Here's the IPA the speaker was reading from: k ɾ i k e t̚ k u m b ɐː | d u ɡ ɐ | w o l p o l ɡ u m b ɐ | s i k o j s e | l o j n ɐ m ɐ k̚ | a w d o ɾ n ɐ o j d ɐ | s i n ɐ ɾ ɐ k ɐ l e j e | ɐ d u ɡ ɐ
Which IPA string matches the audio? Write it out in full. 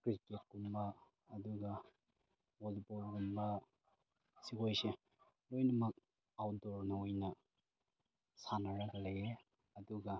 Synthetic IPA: k ɾ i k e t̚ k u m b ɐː | d u ɡ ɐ | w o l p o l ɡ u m b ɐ | s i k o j s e | l o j n ɐ m ɐ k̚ | a w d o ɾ n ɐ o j n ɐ | s a n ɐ ɾ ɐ ɡ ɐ l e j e | ɐ d u ɡ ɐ